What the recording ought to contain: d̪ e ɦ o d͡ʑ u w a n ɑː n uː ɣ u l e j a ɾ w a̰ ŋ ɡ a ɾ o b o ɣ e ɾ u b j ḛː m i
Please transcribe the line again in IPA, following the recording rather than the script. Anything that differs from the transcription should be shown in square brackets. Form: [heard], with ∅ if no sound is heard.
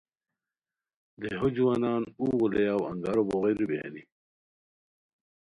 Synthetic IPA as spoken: d̪ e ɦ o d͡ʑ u w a n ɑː n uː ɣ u l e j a [∅] w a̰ ŋ ɡ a ɾ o b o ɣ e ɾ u b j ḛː [n] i